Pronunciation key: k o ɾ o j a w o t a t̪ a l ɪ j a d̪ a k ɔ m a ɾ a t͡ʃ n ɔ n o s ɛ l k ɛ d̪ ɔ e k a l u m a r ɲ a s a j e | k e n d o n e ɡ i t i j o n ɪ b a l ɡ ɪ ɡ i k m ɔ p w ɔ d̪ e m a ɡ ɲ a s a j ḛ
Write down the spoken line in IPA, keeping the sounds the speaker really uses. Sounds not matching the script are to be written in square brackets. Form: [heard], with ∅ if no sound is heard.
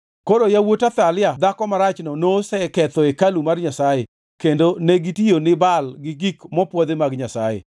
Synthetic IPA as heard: k o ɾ o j a w o t a t̪ a l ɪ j a d̪ a k ɔ m a ɾ a t͡ʃ n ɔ n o s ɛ [∅] k ɛ [t̪] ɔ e k a l u m a r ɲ a s a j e | k e n d o n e ɡ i t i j o n ɪ b a l ɡ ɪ ɡ i k m ɔ p w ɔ d̪ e m a ɡ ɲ a s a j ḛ